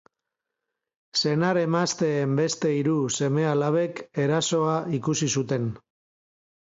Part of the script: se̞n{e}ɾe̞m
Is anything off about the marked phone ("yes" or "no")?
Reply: yes